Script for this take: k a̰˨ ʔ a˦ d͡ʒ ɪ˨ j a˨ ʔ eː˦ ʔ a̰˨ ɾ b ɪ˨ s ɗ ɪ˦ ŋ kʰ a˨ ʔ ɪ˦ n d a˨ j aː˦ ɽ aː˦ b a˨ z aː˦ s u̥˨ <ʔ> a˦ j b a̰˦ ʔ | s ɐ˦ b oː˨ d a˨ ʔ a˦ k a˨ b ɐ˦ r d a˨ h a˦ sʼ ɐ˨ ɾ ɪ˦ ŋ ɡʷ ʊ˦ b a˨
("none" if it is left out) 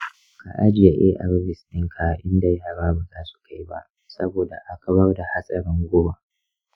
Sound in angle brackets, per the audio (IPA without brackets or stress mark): k